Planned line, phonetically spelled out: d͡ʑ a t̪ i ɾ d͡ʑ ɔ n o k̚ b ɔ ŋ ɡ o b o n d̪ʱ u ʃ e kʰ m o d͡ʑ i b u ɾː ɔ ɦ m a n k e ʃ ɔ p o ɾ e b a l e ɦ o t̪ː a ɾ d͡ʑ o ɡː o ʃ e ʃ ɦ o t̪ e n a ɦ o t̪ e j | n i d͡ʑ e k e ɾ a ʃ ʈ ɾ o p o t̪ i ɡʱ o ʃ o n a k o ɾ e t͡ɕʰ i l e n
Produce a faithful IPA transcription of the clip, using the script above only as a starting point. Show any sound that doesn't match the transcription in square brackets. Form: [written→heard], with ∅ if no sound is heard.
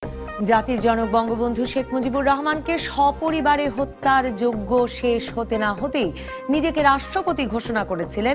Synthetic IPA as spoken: d͡ʑ a t̪ i ɾ d͡ʑ ɔ n o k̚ b ɔ ŋ ɡ o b o n d̪ʱ u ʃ e kʰ m o d͡ʑ i b u ɾː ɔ ɦ m a n k e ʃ ɔ p o ɾ [e→i] b a [l→ɾ] e ɦ o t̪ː a ɾ d͡ʑ o ɡː o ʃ e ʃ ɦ o t̪ e n a ɦ o t̪ e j | n i d͡ʑ e k e ɾ a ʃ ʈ ɾ o p o t̪ i ɡʱ o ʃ o n a k o ɾ e t͡ɕʰ i l e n